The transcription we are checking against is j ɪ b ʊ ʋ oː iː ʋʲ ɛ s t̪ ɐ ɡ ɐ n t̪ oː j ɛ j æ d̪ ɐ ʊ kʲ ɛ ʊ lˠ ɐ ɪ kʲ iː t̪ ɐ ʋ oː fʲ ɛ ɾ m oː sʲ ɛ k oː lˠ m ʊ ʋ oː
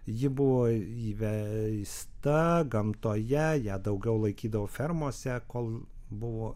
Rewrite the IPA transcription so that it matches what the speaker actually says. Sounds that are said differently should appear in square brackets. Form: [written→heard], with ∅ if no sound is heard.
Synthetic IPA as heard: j ɪ b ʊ ʋ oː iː ʋʲ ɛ s t̪ ɐ ɡ ɐ [n→m] t̪ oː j ɛ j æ d̪ ɐ ʊ [kʲ→ɡʲ] ɛ ʊ lˠ ɐ ɪ kʲ iː [t̪→d̪] ɐ ʋ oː fʲ ɛ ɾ m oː sʲ ɛ k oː lˠ [m→b] ʊ ʋ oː

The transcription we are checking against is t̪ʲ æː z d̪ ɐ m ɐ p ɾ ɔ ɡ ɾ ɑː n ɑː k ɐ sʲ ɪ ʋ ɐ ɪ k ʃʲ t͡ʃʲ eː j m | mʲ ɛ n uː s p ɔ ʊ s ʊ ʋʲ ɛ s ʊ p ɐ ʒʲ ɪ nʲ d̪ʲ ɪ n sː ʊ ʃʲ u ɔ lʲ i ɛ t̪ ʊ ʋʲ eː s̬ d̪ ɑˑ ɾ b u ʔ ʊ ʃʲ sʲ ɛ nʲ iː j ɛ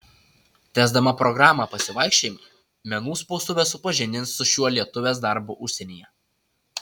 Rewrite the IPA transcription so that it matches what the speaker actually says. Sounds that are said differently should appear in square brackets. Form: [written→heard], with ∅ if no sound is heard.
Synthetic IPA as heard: t̪ʲ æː z d̪ ɐ m ɐ p ɾ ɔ ɡ ɾ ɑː [n→m] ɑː [k→p] ɐ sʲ ɪ ʋ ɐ ɪ k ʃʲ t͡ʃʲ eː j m | mʲ ɛ n uː s p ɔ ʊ s ʊ ʋʲ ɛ s ʊ p ɐ ʒʲ ɪ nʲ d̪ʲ ɪ n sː ʊ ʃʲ u ɔ lʲ i ɛ t̪ ʊ ʋʲ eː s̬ d̪ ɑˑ ɾ b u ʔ ʊ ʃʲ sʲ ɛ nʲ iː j ɛ

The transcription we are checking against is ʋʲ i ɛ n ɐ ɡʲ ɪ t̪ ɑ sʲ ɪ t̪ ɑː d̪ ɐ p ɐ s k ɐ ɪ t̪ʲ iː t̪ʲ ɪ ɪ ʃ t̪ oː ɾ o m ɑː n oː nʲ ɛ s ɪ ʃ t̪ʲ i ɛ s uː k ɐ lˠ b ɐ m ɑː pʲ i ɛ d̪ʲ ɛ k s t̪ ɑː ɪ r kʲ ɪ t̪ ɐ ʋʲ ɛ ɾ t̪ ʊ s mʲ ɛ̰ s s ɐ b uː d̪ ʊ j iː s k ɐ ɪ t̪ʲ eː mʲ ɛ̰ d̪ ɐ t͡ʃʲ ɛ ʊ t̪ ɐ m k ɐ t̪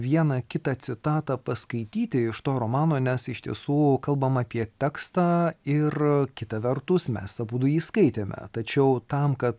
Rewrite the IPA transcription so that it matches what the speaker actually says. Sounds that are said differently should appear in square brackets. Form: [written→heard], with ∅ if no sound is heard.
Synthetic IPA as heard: ʋʲ i ɛ n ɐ [ɡʲ→kʲ] ɪ t̪ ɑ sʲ ɪ t̪ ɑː [d̪→t̪] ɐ p ɐ s k ɐ ɪ t̪ʲ iː t̪ʲ ɪ ɪ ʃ t̪ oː ɾ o m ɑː n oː nʲ ɛ s ɪ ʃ t̪ʲ i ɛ s uː k ɐ lˠ b ɐ m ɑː pʲ i ɛ [d̪ʲ→t̪ʲ] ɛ k s t̪ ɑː ɪ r kʲ ɪ t̪ ɐ ʋʲ ɛ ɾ t̪ ʊ s mʲ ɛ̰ s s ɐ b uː d̪ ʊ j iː s k ɐ ɪ t̪ʲ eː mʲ ɛ̰ [d̪→t̪] ɐ t͡ʃʲ ɛ ʊ t̪ ɐ m k ɐ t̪

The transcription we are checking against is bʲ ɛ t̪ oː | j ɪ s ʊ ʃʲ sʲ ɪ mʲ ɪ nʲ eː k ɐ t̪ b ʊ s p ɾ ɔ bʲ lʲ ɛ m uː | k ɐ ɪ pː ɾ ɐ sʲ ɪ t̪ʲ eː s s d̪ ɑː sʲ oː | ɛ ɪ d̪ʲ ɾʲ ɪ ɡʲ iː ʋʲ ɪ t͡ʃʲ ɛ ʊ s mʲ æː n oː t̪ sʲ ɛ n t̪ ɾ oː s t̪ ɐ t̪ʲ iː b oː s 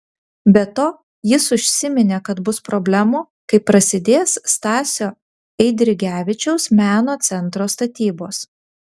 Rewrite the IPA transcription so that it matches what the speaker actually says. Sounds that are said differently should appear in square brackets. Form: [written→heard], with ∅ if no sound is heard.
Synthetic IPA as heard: bʲ ɛ t̪ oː | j ɪ s ʊ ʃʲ sʲ ɪ mʲ ɪ nʲ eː k ɐ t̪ b ʊ s p ɾ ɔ bʲ lʲ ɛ m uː | k ɐ ɪ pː ɾ ɐ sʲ ɪ [t̪ʲ→d̪ʲ] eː s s [d̪→t̪] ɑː sʲ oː | ɛ ɪ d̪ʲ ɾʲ ɪ ɡʲ [iː→æː] ʋʲ ɪ t͡ʃʲ ɛ ʊ s mʲ æː n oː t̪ sʲ ɛ n t̪ ɾ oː s t̪ ɐ t̪ʲ iː b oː s

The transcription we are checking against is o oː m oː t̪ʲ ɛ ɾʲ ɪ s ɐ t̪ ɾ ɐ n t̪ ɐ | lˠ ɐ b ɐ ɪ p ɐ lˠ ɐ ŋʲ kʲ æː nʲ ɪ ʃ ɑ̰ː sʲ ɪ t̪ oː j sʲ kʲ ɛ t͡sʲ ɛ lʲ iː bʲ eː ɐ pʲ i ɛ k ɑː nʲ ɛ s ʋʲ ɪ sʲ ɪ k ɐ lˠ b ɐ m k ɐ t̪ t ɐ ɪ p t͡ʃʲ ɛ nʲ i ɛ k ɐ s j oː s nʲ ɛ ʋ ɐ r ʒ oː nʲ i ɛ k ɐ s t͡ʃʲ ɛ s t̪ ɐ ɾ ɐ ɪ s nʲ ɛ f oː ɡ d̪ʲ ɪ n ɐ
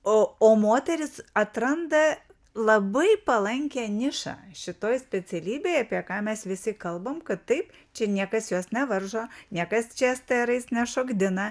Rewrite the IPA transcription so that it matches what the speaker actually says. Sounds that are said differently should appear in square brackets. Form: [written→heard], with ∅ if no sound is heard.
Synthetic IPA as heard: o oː m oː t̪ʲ ɛ ɾʲ ɪ s ɐ t̪ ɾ ɐ n [t̪→d̪] ɐ | lˠ ɐ b ɐ ɪ p ɐ lˠ ɐ ŋʲ kʲ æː nʲ ɪ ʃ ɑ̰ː [sʲ→ʃʲ] ɪ t̪ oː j sʲ [kʲ→pʲ] ɛ t͡sʲ ɛ lʲ iː bʲ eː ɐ pʲ i ɛ k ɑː [nʲ→mʲ] ɛ s ʋʲ ɪ sʲ ɪ k ɐ lˠ b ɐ m k ɐ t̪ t ɐ ɪ p t͡ʃʲ ɛ nʲ i ɛ k ɐ s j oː s nʲ ɛ ʋ ɐ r ʒ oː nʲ i ɛ k ɐ s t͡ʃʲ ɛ s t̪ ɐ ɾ ɐ ɪ s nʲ ɛ [f→ʃ] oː ɡ d̪ʲ ɪ n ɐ

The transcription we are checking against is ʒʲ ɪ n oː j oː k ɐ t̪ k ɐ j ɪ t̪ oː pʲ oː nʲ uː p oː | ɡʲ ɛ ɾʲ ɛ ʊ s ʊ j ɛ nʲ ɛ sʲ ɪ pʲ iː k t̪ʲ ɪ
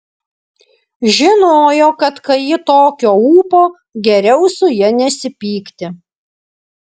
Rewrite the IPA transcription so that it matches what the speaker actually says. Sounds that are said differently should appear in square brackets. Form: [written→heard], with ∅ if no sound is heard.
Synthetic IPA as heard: ʒʲ ɪ n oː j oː k ɐ t̪ k ɐ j ɪ t̪ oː [pʲ→kʲ] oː [nʲ→∅] uː p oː | ɡʲ ɛ ɾʲ ɛ ʊ s ʊ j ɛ nʲ ɛ sʲ ɪ pʲ iː k t̪ʲ ɪ

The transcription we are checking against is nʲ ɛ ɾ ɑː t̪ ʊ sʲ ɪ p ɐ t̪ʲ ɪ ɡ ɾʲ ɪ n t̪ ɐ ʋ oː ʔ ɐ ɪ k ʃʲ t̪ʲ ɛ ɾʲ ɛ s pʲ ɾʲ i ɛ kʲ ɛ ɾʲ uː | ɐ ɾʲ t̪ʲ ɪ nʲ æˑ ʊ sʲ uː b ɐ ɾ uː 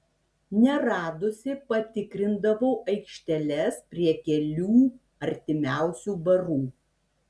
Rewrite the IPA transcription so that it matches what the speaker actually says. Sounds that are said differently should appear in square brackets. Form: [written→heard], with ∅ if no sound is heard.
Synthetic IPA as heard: nʲ ɛ ɾ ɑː [t̪→d̪] ʊ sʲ ɪ p ɐ t̪ʲ ɪ [ɡ→k] ɾʲ ɪ n [t̪→d̪] ɐ ʋ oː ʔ ɐ ɪ k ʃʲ t̪ʲ ɛ [ɾʲ→lʲ] ɛ s pʲ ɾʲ i ɛ kʲ ɛ [ɾʲ→lʲ] uː | ɐ ɾʲ t̪ʲ ɪ [nʲ→mʲ] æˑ ʊ sʲ uː b ɐ ɾ uː

